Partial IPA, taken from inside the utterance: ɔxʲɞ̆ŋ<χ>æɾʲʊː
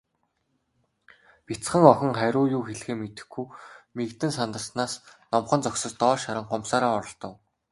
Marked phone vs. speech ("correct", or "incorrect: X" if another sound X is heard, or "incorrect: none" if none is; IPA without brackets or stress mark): correct